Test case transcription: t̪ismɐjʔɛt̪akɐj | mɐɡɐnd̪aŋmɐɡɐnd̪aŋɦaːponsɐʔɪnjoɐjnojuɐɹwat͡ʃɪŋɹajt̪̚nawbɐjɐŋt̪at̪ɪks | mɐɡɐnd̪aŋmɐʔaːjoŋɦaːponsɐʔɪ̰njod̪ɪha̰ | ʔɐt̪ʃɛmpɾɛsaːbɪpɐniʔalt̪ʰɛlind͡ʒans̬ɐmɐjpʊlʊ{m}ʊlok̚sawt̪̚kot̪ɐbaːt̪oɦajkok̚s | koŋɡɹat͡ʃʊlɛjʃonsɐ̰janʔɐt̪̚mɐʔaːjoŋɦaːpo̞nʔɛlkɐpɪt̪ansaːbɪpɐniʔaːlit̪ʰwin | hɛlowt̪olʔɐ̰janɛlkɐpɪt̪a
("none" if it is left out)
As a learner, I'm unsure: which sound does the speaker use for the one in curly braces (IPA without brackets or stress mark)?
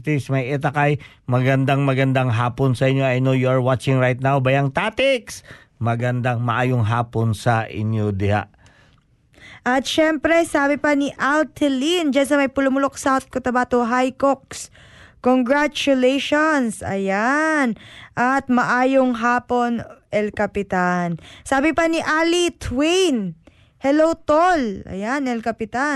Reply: m